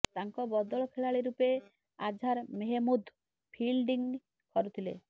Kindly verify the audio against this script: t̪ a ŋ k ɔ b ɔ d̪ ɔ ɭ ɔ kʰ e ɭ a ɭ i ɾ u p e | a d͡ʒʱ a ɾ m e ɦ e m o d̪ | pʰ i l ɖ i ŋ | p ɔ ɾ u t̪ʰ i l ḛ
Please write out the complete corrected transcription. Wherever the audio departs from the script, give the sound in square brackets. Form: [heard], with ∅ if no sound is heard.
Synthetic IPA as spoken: t̪ a ŋ k ɔ b ɔ d̪ ɔ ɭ ɔ kʰ e ɭ a ɭ i ɾ u p e | a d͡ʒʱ a ɾ m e ɦ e m [u] d̪ | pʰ i l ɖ i ŋ | [k] ɔ ɾ u t̪ʰ i l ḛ